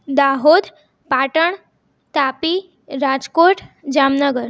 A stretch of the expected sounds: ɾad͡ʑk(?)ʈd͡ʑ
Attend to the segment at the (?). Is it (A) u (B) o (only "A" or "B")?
B